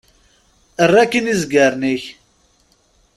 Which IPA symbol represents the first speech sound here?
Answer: ə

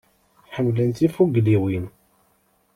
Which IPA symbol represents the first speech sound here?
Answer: ħ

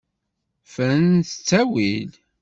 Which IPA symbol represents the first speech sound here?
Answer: f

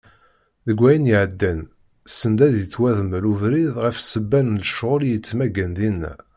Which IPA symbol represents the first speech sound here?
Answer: ð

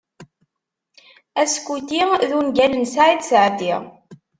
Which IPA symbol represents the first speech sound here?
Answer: æ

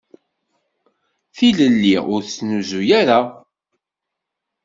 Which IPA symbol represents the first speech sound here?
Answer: θ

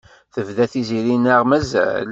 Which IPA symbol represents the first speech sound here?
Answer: θ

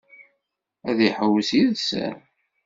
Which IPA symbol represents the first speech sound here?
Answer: æ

